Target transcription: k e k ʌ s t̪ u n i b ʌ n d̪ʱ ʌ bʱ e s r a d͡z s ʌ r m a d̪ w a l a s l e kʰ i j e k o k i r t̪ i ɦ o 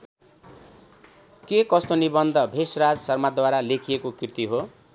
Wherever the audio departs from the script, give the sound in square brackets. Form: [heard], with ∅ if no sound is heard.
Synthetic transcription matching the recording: k e k ʌ s t̪ [o] n i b ʌ n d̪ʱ ʌ bʱ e s r a d͡z s ʌ r m a d̪ w a [ɾ] a [∅] l e kʰ i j e k o k i r t̪ i ɦ o